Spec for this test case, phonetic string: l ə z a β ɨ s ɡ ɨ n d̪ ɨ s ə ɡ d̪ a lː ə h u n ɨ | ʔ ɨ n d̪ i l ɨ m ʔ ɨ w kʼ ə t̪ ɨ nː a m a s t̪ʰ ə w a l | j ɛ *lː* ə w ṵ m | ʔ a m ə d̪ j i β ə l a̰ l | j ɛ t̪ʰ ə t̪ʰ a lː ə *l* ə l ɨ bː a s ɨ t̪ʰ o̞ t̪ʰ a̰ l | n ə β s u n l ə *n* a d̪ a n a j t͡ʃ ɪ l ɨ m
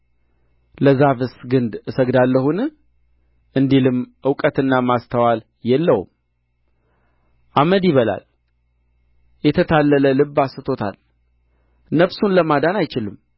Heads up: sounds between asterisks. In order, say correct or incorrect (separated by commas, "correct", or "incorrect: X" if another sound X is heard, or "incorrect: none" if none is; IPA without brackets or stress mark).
correct, correct, incorrect: m